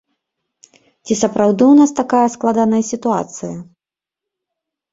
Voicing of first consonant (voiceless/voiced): voiceless